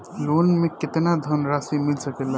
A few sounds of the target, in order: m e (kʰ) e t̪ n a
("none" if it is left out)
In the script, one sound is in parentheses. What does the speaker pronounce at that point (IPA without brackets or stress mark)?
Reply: k